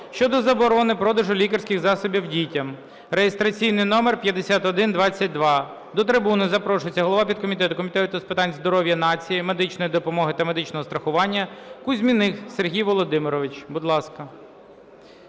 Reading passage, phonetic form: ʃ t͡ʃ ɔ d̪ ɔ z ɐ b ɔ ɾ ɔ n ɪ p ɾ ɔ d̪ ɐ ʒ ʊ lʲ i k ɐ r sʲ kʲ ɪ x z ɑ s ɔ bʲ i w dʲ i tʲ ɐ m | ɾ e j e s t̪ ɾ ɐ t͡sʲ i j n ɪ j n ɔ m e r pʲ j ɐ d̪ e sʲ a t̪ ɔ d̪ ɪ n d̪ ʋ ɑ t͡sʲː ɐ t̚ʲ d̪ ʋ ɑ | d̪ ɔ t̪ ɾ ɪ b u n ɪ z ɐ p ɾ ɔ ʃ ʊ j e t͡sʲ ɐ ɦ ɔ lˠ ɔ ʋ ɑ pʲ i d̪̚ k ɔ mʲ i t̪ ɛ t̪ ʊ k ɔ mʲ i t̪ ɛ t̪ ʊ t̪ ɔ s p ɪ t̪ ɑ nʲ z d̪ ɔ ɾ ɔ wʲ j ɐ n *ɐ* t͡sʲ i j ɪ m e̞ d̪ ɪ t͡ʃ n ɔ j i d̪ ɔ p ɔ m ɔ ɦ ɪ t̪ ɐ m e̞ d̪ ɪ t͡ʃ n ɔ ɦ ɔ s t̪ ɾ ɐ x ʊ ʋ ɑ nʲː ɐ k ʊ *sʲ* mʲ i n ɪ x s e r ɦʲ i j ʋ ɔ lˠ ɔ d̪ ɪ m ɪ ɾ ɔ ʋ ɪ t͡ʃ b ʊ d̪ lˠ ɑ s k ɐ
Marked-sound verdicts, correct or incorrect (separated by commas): incorrect, incorrect